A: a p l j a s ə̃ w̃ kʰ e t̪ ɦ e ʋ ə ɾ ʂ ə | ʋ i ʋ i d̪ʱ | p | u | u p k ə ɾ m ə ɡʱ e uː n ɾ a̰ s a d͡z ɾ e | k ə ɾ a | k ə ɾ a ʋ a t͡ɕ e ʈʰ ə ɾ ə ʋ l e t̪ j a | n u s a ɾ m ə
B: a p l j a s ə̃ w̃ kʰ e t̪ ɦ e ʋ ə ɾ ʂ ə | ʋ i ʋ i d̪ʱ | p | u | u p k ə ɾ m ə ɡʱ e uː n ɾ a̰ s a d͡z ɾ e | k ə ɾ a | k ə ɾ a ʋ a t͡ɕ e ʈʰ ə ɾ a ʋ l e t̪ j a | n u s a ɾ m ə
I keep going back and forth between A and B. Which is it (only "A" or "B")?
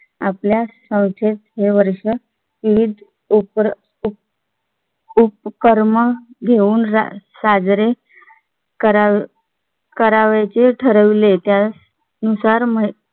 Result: A